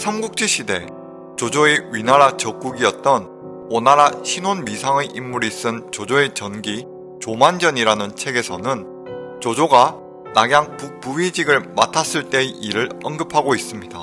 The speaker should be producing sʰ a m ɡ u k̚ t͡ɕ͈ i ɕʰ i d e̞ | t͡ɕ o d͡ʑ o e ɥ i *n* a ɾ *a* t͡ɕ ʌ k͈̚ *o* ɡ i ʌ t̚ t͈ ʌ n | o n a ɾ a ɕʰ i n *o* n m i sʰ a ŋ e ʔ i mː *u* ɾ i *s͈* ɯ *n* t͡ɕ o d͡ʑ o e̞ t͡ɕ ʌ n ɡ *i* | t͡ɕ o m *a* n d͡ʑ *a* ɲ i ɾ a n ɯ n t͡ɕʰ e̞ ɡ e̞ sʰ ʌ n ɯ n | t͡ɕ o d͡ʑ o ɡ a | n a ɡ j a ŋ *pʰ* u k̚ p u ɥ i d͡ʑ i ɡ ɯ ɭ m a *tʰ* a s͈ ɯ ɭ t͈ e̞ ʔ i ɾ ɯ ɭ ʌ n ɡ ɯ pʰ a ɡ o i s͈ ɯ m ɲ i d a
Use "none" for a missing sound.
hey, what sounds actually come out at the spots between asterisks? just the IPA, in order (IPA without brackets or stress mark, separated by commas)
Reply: n, a, u, o, u, s͈, n, i, a, ʌ, p, tʰ